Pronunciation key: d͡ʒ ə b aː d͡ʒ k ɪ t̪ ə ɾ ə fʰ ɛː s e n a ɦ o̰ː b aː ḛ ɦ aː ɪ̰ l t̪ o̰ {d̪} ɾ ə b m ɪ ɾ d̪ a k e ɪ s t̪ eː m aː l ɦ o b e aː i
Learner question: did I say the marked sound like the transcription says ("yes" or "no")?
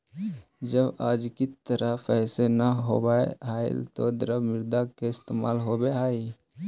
yes